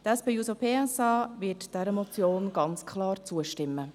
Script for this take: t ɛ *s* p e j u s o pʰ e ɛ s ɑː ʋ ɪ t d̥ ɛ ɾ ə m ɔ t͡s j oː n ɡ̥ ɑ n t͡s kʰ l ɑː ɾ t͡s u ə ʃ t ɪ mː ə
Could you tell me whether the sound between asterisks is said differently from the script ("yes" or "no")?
no